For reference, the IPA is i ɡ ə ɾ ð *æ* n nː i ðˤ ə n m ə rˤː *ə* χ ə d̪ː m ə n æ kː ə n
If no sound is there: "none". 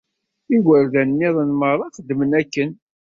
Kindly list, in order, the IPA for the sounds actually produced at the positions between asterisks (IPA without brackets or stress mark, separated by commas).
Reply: æ, ɑ